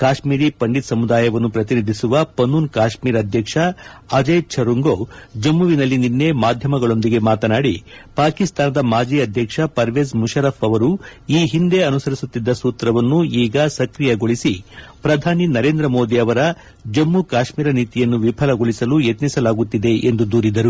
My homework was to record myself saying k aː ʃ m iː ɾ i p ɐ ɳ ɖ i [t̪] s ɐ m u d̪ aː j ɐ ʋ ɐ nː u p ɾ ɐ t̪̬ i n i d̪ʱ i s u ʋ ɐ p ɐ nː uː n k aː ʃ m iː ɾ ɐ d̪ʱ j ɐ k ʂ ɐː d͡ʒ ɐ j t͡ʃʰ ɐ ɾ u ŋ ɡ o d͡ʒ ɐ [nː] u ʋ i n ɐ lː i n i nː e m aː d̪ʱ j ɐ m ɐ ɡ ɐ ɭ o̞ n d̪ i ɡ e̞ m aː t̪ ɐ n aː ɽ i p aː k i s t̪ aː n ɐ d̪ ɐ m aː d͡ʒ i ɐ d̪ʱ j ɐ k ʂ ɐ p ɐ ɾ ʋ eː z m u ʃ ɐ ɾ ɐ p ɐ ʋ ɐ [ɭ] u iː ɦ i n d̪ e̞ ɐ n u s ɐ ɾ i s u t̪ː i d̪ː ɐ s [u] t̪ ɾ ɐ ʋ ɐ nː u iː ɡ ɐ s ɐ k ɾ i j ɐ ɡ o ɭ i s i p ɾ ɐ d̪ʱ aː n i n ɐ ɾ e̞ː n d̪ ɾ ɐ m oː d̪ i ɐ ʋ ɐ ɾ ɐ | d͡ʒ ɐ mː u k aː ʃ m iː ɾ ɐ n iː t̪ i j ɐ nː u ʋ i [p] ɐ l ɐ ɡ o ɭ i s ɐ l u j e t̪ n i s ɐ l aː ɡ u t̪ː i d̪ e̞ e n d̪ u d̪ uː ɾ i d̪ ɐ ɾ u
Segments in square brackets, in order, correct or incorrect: correct, incorrect: mː, incorrect: ɾ, incorrect: uː, incorrect: pʰ

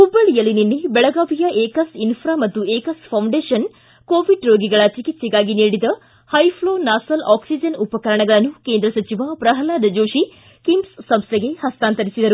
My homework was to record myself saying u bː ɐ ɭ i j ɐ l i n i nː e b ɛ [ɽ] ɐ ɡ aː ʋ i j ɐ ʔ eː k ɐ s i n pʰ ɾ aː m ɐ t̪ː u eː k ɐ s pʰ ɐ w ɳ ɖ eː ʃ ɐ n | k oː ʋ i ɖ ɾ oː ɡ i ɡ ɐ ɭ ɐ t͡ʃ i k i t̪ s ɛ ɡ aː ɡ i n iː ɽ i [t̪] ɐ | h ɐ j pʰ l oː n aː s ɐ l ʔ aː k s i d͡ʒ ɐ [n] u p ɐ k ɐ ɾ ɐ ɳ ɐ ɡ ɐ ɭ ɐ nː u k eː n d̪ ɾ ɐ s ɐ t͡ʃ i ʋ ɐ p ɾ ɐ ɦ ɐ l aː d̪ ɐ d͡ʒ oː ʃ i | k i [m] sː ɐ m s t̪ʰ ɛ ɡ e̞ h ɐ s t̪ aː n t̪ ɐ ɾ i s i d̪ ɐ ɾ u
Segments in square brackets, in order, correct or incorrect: incorrect: ɭ, incorrect: d̪, correct, correct

